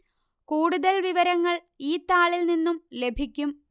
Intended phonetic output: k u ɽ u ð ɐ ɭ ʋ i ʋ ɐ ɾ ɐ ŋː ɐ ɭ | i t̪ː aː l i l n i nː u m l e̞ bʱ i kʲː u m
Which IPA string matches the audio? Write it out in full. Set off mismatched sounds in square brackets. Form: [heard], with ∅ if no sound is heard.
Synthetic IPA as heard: k [uː] ɽ u ð ɐ [l] ʋ i ʋ ɐ ɾ ɐ ŋː ɐ ɭ | [iː] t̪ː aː [ɭ] i l n i nː u m l e̞ bʱ i kʲː u m